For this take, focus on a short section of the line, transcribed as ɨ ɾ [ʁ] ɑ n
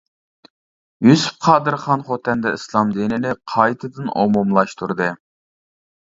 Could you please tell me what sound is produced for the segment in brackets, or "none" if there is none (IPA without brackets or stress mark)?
χ